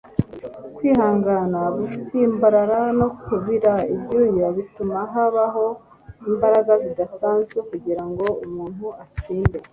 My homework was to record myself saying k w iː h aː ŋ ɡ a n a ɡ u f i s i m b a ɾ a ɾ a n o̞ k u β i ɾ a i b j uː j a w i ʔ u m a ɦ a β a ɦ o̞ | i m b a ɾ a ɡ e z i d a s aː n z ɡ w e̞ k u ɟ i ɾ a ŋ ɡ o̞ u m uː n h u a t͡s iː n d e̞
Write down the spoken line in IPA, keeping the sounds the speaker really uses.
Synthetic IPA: k w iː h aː ŋ ɡ a n a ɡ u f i s i m b a ɾ a ɾ a n o̞ k u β i ɾ a i b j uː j a β i t u m a ɦ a β a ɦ o̞ | i m b a ɾ a ɡ a z i d a s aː n z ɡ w e̞ k u ɟ i ɾ a ŋ ɡ o̞ u m uː n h u a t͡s iː n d e̞